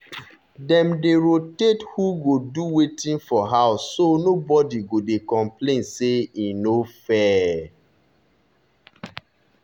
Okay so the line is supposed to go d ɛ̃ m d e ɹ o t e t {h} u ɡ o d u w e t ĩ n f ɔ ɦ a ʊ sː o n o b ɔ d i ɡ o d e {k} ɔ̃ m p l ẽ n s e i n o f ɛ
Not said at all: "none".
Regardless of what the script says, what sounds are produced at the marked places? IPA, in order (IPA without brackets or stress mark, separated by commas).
h, k